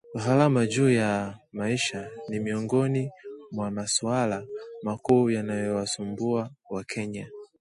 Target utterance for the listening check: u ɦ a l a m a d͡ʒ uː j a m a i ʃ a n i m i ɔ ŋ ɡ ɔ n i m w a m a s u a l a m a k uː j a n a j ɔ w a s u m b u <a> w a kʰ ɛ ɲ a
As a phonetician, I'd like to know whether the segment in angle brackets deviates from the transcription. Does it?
no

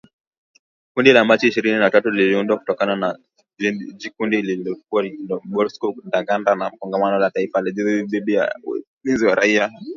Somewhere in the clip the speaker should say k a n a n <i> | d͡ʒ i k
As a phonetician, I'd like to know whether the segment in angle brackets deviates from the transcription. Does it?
yes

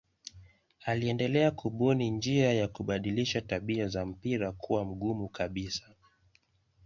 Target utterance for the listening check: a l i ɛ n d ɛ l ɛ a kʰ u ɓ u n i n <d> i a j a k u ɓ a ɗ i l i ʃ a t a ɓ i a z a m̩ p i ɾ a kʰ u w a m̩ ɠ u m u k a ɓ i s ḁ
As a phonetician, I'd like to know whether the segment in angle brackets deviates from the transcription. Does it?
yes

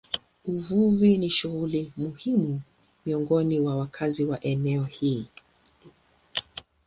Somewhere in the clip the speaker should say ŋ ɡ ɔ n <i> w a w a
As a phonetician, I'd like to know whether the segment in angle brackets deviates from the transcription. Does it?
no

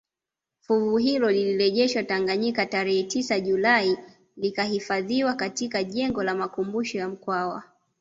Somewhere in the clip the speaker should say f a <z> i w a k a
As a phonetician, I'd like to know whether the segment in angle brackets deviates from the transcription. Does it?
yes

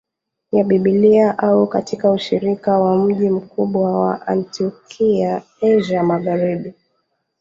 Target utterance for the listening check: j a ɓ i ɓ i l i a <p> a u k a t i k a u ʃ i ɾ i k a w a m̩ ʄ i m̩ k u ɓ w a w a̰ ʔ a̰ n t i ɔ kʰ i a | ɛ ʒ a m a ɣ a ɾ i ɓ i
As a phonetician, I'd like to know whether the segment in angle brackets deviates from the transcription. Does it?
yes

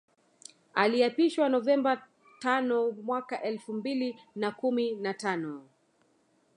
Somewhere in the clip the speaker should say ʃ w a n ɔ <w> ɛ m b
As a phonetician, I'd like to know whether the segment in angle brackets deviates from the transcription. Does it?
yes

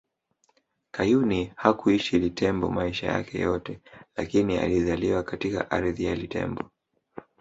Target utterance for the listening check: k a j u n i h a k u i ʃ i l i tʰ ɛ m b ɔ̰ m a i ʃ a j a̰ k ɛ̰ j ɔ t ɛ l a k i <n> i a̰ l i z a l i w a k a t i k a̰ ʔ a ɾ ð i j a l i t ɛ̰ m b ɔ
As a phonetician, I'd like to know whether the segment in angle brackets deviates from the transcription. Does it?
no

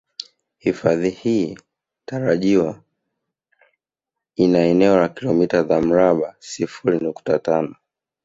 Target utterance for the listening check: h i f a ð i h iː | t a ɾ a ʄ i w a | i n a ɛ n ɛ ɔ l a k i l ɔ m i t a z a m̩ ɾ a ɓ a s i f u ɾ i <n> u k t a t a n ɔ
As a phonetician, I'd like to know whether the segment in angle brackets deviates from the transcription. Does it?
no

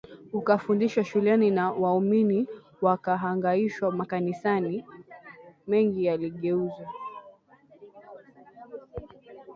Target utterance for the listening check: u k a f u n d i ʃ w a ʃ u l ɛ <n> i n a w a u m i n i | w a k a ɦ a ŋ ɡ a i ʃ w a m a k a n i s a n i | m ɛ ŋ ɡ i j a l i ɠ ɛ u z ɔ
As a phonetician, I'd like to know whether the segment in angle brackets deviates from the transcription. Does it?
no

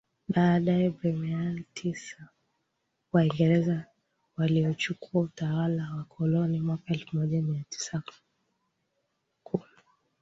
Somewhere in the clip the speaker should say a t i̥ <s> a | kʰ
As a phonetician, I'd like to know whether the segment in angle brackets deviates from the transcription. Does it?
no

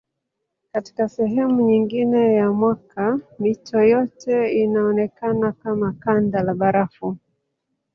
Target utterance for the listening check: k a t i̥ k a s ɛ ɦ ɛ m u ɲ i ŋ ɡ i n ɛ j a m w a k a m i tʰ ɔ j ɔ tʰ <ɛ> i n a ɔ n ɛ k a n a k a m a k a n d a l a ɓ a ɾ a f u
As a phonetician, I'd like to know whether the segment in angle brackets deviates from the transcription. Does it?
no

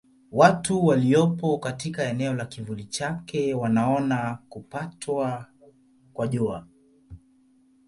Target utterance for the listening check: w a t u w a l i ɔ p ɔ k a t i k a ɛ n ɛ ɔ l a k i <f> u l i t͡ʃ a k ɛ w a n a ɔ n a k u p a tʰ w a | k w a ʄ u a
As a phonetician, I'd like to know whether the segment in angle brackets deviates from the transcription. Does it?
yes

